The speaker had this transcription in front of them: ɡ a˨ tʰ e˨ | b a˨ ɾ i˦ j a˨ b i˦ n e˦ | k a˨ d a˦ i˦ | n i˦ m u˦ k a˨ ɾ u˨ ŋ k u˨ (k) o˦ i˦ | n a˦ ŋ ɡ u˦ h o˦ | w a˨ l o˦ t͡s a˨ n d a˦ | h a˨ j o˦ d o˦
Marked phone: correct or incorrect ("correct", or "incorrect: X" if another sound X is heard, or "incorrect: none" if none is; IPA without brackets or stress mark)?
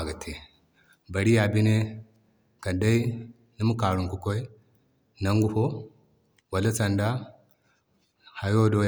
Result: correct